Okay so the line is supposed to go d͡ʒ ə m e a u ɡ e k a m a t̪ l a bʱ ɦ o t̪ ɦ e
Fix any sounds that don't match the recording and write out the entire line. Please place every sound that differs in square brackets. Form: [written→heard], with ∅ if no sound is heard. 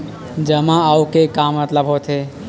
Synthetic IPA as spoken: d͡ʒ ə m [e→a] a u [ɡ→k] e k a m [a→ə] t̪ l [a→ə] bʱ ɦ o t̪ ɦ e